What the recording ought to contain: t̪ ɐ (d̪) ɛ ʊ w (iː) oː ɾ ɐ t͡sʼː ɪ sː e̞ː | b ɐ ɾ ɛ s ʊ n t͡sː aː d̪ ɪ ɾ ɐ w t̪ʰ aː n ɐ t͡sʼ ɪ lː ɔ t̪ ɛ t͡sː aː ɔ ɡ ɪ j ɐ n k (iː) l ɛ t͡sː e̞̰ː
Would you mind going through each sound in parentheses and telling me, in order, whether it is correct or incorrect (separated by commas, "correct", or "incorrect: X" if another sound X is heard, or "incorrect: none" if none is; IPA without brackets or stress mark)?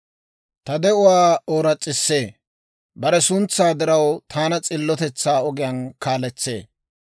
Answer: correct, incorrect: aː, incorrect: aː